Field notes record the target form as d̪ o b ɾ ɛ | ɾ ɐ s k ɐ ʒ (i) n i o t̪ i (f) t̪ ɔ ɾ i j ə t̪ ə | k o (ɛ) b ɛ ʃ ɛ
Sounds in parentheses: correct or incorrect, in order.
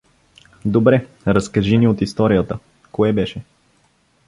correct, incorrect: s, correct

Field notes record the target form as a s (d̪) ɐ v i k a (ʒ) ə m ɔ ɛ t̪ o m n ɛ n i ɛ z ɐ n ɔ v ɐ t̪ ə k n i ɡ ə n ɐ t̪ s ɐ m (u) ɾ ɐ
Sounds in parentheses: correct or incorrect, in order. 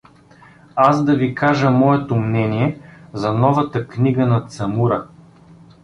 correct, correct, correct

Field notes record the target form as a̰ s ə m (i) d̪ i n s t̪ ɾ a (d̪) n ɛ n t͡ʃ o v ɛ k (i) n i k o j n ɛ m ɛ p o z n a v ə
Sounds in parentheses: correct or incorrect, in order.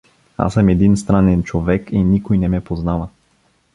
incorrect: ɛ, incorrect: none, correct

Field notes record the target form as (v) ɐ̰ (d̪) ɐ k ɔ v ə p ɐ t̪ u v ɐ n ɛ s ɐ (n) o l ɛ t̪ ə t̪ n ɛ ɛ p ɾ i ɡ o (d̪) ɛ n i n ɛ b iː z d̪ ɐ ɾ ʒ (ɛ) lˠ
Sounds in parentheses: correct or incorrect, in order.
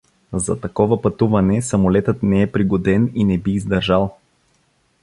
incorrect: z, incorrect: t̪, incorrect: m, correct, incorrect: a

